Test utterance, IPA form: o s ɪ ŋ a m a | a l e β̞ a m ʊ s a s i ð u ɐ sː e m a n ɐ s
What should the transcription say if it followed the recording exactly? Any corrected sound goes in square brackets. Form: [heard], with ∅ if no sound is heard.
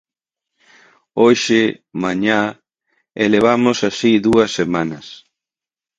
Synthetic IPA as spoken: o [ʃ] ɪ [m] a [ɲ] a | [e] l e β̞ a m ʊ s a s i ð u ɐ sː e m a n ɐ s